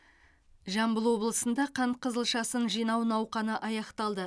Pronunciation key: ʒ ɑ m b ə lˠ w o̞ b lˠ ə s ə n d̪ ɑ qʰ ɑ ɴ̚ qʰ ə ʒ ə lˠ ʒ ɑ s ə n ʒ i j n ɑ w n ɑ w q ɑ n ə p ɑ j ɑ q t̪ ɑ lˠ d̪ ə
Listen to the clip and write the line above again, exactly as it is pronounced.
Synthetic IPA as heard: ʒ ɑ m b ə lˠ w o̞ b lˠ ə s ə n d̪ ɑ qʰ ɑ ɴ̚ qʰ ə z ə lˠ ʃ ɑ s ə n ʒ i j n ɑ w n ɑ w q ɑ n ə ʔ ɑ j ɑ q t̪ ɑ lˠ d̪ ə